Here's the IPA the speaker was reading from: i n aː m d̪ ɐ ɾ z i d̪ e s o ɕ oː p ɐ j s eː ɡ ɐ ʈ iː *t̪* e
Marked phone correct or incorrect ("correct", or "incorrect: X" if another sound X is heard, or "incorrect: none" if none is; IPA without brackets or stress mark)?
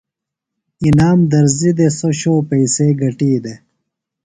incorrect: d̪